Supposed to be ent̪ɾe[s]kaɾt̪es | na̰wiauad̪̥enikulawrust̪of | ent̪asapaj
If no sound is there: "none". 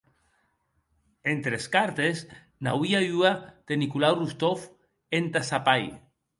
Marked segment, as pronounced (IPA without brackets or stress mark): s